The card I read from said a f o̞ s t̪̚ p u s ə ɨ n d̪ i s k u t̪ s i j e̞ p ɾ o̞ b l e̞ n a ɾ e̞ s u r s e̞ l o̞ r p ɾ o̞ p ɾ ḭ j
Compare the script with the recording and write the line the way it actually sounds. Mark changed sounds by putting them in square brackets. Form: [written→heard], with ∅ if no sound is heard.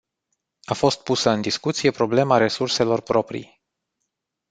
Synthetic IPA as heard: a f o̞ s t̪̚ p u s ə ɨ n d̪ i s k u t̪ s i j e̞ p ɾ o̞ b l e̞ [n→m] a ɾ e̞ s u r s e̞ l o̞ r p ɾ o̞ p ɾ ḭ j